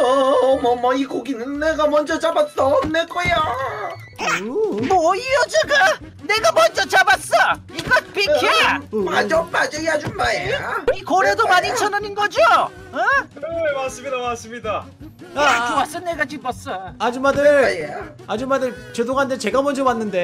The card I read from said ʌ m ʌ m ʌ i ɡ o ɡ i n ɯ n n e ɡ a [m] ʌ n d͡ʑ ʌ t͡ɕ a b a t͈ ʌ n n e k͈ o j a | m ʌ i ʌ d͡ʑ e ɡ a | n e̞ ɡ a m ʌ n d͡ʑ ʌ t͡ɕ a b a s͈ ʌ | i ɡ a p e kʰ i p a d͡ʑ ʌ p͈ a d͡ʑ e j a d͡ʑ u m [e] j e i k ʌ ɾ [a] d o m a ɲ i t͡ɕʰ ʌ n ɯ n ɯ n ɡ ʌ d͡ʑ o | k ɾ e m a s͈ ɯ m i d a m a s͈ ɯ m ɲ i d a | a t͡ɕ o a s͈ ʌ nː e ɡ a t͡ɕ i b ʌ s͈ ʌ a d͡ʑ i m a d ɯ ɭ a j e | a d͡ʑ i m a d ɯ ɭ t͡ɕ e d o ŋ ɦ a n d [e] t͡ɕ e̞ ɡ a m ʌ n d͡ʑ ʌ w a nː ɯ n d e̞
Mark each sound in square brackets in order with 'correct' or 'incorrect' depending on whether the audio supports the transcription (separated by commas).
correct, incorrect, incorrect, correct